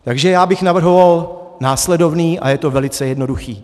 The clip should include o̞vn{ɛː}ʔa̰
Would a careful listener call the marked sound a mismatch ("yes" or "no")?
yes